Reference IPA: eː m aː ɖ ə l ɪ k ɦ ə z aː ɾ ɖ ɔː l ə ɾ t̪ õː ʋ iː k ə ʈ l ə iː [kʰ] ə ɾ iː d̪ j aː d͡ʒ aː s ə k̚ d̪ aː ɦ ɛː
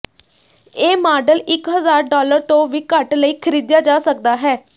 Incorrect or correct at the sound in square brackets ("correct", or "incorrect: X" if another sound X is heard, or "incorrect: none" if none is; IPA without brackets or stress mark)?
correct